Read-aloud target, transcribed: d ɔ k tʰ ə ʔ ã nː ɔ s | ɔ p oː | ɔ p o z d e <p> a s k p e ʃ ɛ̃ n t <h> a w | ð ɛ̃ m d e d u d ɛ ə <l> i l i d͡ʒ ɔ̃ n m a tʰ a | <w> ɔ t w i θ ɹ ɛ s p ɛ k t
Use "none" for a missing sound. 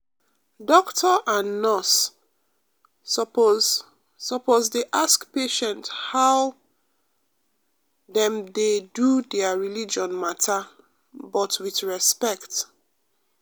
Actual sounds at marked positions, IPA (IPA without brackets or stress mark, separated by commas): ʔ, h, ɹ, b